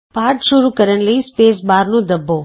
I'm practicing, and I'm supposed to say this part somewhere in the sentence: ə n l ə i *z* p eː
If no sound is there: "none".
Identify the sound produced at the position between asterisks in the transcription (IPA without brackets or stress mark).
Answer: s